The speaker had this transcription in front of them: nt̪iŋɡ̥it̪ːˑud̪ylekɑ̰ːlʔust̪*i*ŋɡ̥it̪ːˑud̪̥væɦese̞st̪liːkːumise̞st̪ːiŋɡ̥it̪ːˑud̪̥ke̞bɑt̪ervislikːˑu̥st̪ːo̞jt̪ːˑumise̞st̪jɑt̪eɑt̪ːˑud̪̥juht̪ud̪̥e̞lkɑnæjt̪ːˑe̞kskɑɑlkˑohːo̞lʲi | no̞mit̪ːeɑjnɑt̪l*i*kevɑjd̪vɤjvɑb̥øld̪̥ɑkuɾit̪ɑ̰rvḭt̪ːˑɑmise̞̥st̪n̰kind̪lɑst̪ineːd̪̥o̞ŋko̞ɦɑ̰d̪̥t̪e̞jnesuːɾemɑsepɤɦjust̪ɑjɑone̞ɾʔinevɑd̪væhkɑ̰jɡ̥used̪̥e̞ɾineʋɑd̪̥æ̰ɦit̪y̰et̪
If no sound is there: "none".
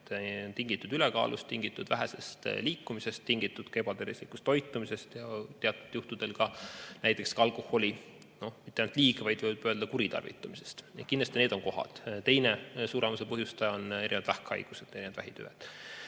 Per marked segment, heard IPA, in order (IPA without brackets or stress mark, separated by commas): i, iː